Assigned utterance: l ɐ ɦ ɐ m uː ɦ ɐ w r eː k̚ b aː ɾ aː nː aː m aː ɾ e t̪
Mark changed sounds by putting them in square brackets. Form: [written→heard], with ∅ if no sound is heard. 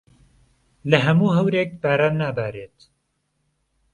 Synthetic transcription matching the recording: l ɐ ɦ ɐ m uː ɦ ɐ w [r→ɾ] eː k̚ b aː ɾ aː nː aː [m→b] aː ɾ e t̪

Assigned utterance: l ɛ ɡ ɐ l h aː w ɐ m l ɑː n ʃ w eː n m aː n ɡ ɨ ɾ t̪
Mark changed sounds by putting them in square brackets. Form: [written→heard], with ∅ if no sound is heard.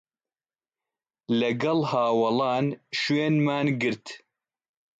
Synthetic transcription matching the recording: l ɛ ɡ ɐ l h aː w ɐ [m→∅] l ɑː n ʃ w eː n m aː n ɡ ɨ ɾ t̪

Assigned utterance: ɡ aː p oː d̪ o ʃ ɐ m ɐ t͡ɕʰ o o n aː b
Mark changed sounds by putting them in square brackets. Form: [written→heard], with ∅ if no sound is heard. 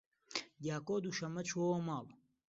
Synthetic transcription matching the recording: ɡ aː [p→k] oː d̪ [o→u] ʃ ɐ m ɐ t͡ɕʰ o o [n→m] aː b

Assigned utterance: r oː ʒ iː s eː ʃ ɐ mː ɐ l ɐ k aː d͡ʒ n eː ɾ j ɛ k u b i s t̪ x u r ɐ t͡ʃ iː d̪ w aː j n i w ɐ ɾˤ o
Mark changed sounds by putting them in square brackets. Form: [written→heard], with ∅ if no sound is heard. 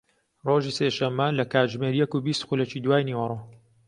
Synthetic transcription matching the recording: r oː ʒ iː s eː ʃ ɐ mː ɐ l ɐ k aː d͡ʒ [n→m] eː ɾ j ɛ k u b i s t̪ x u [r→l] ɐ t͡ʃ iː d̪ w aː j n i w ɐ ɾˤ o

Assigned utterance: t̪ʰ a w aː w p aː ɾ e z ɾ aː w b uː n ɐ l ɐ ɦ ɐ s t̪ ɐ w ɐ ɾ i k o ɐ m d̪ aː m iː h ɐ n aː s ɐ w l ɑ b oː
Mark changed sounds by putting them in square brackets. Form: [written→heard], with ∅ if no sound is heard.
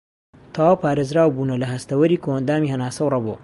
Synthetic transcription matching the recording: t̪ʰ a w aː w p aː ɾ e z ɾ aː w b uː n ɐ l ɐ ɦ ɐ s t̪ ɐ w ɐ ɾ i k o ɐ [m→n] d̪ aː m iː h ɐ n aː s ɐ w [l→r] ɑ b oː

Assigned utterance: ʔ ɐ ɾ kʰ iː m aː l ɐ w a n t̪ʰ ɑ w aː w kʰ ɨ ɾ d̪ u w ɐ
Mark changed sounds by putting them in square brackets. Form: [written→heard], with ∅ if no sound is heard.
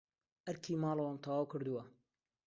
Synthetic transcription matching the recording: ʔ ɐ ɾ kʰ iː m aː l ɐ w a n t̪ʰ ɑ w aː w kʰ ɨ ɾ d̪ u w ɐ

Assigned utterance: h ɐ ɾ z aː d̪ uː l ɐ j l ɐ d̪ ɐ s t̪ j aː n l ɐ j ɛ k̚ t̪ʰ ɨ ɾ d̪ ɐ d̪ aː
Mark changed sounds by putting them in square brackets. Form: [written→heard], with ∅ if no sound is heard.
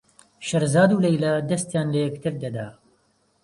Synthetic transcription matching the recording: [h→ʃ] ɐ ɾ z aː d̪ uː l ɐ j l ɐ d̪ ɐ s t̪ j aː n l ɐ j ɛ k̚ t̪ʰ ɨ ɾ d̪ ɐ d̪ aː

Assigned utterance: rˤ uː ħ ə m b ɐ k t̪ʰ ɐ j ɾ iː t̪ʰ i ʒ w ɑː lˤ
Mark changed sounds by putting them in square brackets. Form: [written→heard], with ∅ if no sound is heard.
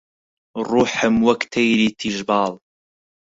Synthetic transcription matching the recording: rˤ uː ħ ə m [b→w] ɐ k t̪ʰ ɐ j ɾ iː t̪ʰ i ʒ [w→b] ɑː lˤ

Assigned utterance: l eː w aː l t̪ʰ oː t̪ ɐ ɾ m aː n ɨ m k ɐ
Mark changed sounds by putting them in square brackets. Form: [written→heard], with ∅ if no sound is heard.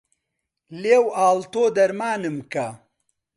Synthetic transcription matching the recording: l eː w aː l [t̪ʰ→t̪] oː [t̪→d̪] ɐ ɾ m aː n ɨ m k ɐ

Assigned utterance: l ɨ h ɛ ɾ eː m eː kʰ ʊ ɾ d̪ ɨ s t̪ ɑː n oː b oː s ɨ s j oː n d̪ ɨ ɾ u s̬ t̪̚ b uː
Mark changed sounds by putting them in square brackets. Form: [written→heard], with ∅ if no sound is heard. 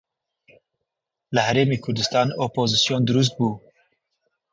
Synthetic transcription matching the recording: l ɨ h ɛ ɾ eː m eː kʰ ʊ ɾ d̪ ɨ s t̪ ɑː n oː [b→p] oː [s→z] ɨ s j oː n d̪ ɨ ɾ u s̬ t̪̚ b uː

